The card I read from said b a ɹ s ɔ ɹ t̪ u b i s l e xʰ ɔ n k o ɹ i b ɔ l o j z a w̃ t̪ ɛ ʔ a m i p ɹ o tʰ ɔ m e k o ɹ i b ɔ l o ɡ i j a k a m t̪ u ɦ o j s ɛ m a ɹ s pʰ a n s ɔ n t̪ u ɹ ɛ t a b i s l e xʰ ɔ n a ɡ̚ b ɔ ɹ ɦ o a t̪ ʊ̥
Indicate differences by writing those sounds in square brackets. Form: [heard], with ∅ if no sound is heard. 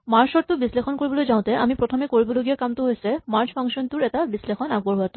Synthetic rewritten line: [m] a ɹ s ɔ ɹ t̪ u b i s l e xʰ ɔ n k o ɹ i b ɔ l o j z a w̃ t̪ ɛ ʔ a m i p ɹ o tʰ ɔ m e k o ɹ i b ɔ l o ɡ i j a k a m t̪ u ɦ o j s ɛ m a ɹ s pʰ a [ŋ] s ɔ n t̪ u ɹ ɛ t a b i s l e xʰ ɔ n a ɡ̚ b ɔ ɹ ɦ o a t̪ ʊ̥